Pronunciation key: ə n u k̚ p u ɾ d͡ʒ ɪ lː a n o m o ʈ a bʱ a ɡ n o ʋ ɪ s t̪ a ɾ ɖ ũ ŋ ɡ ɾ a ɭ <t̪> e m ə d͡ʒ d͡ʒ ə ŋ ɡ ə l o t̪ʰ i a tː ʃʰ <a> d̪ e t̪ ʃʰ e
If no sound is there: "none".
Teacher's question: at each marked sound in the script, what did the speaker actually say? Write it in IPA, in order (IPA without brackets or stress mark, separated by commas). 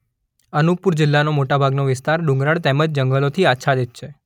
t̪, a